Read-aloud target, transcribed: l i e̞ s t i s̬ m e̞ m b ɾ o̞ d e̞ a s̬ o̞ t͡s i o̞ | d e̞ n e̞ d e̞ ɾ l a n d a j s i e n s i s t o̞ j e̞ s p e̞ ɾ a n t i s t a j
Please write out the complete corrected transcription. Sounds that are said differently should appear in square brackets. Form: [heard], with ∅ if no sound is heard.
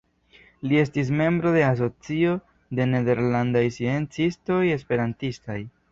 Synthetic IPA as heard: l i e̞ s t i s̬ m e̞ m b ɾ o̞ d e̞ a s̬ o̞ t͡s i o̞ | d e̞ n e̞ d e̞ ɾ l a n d a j s i e n [t͡s] i s t o̞ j e̞ s p e̞ ɾ a n t i s t a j